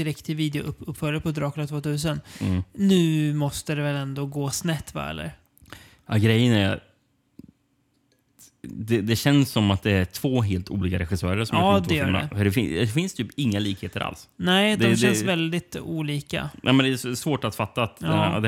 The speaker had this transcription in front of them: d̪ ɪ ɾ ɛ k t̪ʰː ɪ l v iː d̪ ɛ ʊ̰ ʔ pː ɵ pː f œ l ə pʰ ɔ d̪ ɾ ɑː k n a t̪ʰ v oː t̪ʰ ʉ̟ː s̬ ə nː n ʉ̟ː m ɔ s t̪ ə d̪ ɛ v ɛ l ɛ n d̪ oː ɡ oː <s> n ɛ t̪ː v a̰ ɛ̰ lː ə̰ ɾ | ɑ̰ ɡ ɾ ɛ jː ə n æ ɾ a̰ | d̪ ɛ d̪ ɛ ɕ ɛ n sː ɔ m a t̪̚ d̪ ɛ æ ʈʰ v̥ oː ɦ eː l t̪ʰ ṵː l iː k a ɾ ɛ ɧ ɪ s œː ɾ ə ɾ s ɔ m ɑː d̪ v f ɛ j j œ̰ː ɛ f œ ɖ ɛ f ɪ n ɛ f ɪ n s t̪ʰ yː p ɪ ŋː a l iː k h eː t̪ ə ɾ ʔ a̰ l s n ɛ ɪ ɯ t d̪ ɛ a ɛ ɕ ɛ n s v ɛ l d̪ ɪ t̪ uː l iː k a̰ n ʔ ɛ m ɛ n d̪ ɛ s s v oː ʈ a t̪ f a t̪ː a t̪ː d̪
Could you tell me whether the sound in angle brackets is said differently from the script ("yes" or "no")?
no